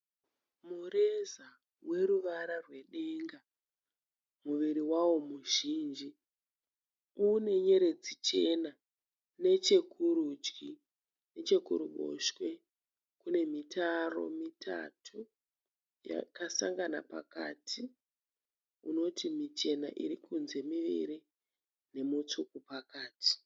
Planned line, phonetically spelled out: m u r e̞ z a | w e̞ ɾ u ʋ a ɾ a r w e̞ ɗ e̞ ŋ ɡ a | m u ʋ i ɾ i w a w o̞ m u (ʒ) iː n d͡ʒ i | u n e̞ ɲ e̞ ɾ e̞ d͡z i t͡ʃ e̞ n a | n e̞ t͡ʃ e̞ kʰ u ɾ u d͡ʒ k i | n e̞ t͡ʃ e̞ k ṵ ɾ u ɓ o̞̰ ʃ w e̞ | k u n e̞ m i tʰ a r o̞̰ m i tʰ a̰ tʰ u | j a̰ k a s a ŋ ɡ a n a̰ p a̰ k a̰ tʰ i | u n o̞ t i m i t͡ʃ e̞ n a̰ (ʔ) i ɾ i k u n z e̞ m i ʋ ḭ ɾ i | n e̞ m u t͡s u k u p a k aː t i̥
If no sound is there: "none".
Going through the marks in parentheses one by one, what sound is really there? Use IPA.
ʒ, ʔ

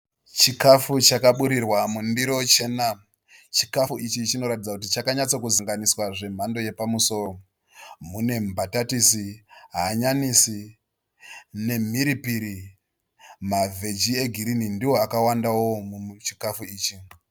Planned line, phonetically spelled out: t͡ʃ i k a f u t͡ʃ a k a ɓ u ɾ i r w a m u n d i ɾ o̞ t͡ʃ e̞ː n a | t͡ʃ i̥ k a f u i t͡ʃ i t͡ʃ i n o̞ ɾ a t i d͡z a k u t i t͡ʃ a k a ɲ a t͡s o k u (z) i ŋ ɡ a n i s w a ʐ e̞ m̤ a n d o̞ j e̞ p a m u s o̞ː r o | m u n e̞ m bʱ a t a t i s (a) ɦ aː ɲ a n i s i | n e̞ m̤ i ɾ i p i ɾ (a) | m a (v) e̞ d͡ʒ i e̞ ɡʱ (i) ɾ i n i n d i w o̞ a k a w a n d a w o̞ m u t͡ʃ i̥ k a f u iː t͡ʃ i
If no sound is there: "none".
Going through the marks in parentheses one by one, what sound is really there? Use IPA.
z, i, i, v, i

